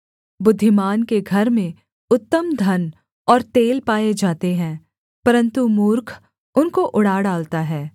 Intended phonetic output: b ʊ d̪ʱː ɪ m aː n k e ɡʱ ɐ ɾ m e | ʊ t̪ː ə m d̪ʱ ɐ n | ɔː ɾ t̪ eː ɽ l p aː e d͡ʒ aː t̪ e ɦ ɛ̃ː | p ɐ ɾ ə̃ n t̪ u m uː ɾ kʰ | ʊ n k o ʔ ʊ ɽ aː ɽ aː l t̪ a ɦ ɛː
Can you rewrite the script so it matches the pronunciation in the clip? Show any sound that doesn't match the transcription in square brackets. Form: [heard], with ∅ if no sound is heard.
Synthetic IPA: b ʊ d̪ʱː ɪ m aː n k e ɡʱ ɐ ɾ m [ẽ] | ʊ t̪ː ə m d̪ʱ ɐ n | ɔː ɾ t̪ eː [∅] l p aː e d͡ʒ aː t̪ e ɦ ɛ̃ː | p ɐ ɾ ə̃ n t̪ u m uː ɾ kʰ | ʊ n k o ʔ ʊ ɽ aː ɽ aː l t̪ a ɦ ɛː